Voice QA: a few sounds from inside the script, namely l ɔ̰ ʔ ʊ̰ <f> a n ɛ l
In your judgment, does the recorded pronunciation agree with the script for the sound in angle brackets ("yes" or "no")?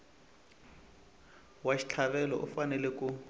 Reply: yes